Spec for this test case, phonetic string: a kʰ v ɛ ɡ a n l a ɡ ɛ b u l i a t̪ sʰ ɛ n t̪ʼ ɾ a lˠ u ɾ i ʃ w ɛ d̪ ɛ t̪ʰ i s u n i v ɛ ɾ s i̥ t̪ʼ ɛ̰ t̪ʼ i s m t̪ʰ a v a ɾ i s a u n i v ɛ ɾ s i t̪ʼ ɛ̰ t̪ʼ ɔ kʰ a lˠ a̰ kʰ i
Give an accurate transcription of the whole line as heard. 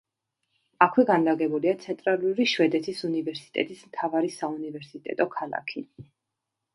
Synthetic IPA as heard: a kʰ w ɛ ɡ a n l a ɡ ɛ b u l i a t̪ sʰ ɛ n t̪ʼ ɾ a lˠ u ɾ i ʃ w ɛ d̪ ɛ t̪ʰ i s u n i v ɛ ɾ s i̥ t̪ʼ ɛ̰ t̪ʼ i s m t̪ʰ a v a ɾ i s a u n i v ɛ ɾ s i t̪ʼ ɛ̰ t̪ʼ ɔ kʰ a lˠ a̰ kʰ i